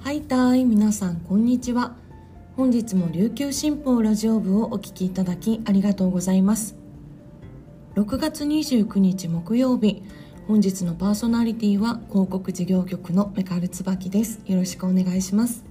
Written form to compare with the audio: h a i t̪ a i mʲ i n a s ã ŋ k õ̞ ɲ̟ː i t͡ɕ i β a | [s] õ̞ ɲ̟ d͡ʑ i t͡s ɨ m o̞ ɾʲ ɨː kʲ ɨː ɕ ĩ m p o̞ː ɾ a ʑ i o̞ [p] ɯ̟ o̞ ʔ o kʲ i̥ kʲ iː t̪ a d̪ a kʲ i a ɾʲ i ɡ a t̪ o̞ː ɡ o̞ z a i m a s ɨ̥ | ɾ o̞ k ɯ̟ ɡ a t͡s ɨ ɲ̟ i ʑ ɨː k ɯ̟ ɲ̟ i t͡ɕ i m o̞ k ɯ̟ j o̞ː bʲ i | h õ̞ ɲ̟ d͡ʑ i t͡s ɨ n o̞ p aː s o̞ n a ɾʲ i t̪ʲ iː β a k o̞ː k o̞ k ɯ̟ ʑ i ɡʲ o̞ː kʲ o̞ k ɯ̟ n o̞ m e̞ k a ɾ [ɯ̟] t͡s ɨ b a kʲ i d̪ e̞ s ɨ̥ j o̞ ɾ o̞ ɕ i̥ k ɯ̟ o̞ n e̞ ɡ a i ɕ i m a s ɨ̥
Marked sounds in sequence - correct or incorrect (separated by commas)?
incorrect, incorrect, correct